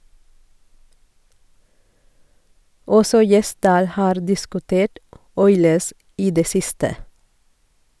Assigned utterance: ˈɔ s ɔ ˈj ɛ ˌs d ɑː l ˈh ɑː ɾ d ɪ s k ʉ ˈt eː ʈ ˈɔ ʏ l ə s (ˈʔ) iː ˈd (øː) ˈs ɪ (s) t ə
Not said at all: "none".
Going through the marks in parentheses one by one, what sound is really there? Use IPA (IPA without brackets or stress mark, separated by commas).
ʔ, eː, s